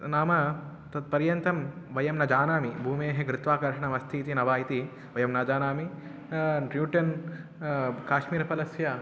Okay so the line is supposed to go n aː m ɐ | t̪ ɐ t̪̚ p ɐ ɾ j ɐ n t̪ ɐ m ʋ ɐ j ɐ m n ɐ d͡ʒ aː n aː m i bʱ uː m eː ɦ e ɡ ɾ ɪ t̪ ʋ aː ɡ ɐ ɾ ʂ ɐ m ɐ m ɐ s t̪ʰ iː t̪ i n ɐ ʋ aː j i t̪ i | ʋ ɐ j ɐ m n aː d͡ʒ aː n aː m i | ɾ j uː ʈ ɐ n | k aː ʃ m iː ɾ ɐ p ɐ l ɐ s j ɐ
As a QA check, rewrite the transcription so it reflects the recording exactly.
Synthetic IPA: n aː m ɐ | t̪ ɐ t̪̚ p ɐ ɾ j ɐ n t̪ ɐ m ʋ ɐ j ɐ m n ɐ d͡ʒ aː n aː m i bʱ uː m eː ɦ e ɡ ɾ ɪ t̪ ʋ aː k ɐ ɾ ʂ ɐ ɳ ɐ m ɐ s t̪ʰ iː t̪ i n ɐ ʋ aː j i t̪ i | ʋ ɐ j ɐ m n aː d͡ʒ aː n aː m i | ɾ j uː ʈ ɐ n | k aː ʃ m iː ɾ ɐ p ɐ l ɐ s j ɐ

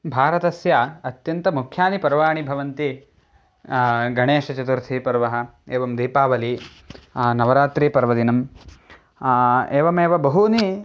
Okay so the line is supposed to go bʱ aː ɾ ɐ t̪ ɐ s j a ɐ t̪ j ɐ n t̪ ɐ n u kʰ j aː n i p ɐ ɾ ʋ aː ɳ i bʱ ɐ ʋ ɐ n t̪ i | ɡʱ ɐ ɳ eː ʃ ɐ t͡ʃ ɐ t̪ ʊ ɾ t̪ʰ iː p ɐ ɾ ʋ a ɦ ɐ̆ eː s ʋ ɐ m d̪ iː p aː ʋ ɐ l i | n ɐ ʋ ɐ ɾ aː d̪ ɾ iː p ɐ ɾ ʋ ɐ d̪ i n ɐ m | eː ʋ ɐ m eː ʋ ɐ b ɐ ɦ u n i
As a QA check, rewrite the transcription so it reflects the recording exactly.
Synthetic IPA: bʱ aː ɾ ɐ t̪ ɐ s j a ɐ t̪ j ɐ n t̪ ɐ m u kʰ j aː n i p ɐ ɾ ʋ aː ɳ i bʱ ɐ ʋ ɐ n t̪ i | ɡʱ ɐ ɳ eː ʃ ɐ t͡ʃ ɐ t̪ u ɾ t̪ʰ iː p ɐ ɾ ʋ ɐ ɦ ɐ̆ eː ʋ ɐ m d̪ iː p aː ʋ ɐ l i | n ɐ ʋ ɐ ɾ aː t̪ ɾ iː p ɐ ɾ ʋ ɐ d̪ i n ɐ m | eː ʋ ɐ m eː ʋ ɐ b ɐ ɦ u n i

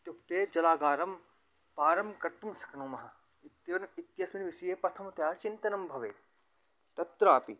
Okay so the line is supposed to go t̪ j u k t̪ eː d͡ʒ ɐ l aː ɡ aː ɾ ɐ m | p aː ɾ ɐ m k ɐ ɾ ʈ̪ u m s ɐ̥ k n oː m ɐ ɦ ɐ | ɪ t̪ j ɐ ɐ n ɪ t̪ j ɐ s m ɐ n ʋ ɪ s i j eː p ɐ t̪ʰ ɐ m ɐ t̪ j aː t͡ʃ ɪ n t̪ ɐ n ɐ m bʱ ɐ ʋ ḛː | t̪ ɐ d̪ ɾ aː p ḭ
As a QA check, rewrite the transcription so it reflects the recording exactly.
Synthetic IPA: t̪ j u k t̪ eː d͡ʒ ɐ l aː ɡ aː ɾ ɐ m | p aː ɾ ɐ m k ɐ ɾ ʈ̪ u m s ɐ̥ k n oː m ɐ ɦ ɐ | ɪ t̪ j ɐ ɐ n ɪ t̪ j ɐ s m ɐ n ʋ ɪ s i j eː p ɐ t̪ʰ ɐ m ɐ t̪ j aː t͡ʃ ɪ n t̪ ɐ n ɐ m bʱ ɐ ʋ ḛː | t̪ ɐ t̪ ɾ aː p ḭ

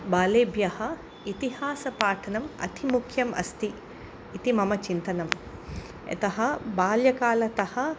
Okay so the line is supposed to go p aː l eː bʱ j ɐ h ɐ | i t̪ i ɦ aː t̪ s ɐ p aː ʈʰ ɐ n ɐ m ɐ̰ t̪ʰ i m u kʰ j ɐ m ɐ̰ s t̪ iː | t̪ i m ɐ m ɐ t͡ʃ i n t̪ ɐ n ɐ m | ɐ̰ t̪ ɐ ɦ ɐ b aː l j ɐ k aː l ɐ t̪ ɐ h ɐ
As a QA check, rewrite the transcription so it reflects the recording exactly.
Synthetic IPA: b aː l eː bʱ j ɐ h ɐ | i t̪ i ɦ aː s ɐ p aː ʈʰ ɐ n ɐ m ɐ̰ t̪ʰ i m u kʰ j ɐ m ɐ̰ s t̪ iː | t̪ i m ɐ m ɐ t͡ʃ i n t̪ ɐ n ɐ m | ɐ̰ t̪ ɐ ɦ ɐ b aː l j ɐ k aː l ɐ t̪ ɐ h ɐ

